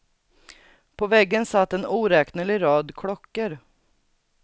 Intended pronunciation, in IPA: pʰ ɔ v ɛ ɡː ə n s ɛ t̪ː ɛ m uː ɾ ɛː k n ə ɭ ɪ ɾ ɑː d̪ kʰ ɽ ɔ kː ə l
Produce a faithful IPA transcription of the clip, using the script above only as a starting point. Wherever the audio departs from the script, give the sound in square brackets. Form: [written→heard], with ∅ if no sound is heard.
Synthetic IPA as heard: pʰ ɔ v ɛ ɡː ə n s [ɛ→a] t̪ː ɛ [m→n] uː ɾ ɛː k n ə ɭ ɪ ɾ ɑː d̪ kʰ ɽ ɔ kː ə [l→ɾ]